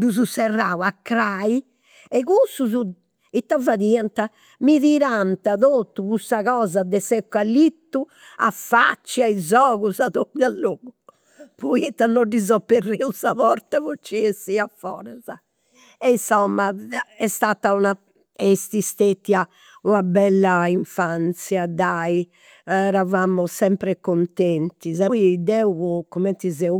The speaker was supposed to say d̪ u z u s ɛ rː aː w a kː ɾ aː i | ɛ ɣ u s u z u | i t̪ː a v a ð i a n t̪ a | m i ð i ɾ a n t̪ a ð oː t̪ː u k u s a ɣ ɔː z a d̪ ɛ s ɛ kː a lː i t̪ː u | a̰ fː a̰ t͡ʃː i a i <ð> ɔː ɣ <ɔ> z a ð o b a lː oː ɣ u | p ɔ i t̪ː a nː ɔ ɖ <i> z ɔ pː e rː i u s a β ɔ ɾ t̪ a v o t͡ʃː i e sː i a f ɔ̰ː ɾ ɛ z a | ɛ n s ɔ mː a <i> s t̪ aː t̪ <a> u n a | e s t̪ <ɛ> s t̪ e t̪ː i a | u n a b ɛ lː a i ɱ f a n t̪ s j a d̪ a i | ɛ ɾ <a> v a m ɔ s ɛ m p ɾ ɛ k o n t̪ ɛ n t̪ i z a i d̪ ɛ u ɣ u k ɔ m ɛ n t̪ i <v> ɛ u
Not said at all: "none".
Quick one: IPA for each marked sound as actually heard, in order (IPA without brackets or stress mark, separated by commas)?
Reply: z, u, i, ɛ, a, i, a, z